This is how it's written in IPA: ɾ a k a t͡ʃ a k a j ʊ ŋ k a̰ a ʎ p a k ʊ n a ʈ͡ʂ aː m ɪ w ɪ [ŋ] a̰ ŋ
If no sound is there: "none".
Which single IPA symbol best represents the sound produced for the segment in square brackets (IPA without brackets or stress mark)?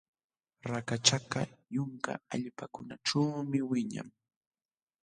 ɲ